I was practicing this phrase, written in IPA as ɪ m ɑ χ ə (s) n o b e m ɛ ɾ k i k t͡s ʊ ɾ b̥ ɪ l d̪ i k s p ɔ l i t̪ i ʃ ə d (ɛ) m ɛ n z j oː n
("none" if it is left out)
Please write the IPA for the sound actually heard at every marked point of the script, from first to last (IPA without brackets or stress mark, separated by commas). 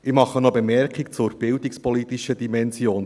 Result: none, i